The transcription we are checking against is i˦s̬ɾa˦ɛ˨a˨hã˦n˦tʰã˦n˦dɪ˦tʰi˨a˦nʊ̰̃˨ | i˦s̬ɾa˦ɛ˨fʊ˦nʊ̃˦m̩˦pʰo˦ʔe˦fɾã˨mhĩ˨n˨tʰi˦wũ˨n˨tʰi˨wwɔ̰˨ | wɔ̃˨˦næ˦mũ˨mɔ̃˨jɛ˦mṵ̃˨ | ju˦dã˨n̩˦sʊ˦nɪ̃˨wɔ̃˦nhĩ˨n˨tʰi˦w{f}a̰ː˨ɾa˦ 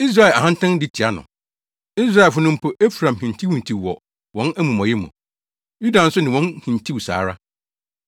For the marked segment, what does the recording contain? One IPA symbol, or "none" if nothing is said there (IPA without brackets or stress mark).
s